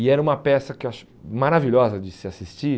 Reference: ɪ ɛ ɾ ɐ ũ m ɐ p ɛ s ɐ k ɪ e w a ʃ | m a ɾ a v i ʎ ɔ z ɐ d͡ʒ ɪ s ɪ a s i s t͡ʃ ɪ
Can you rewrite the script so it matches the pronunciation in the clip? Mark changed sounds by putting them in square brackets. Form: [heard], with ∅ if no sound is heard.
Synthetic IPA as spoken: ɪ ɛ ɾ ɐ ũ m ɐ p ɛ s ɐ k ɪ e w a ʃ | m a ɾ a v i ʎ ɔ z ɐ d͡ʒ ɪ s ɪ a s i s t͡ʃ [i]